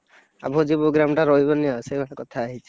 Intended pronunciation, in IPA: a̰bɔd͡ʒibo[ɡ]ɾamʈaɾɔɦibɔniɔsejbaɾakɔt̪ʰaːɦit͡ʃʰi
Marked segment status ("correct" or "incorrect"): correct